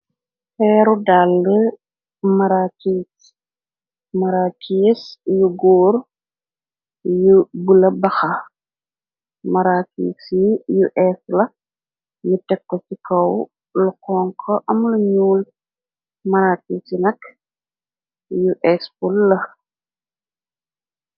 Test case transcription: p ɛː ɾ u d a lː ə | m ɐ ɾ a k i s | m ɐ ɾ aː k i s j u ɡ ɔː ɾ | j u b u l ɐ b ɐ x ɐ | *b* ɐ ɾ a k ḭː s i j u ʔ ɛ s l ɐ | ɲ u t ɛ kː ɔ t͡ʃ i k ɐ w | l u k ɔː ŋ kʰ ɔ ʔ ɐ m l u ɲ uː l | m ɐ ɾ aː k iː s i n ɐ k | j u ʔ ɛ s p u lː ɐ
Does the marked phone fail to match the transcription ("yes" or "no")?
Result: yes